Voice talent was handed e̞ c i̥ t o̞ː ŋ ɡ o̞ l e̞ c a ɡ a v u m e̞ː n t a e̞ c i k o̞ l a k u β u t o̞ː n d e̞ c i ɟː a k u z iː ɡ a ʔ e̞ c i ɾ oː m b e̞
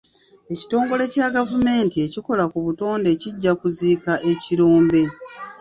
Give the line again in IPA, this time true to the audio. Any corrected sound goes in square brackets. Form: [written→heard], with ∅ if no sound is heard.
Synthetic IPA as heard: e̞ c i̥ t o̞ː ŋ ɡ o̞ l e̞ c a ɡ a v u m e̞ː n t [a→i] e̞ c i k o̞ l a k u β u t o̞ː n d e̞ c i ɟː a k u z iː [ɡ→k] a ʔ e̞ c i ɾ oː m b e̞